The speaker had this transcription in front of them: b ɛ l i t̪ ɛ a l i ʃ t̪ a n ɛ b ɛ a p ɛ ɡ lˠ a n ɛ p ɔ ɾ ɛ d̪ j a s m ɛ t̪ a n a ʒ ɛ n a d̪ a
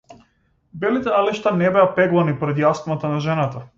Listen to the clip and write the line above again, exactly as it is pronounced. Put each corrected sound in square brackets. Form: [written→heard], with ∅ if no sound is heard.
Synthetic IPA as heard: b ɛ l i t̪ ɛ a l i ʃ t̪ a n ɛ b ɛ a p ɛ ɡ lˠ a n [ɛ→i] p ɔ ɾ ɛ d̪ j a s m [ɛ→a] t̪ a n a ʒ ɛ n a [d̪→t̪] a